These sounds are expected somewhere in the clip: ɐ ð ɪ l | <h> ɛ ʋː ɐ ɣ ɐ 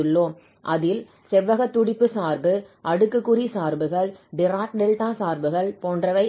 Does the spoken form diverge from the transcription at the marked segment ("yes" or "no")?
yes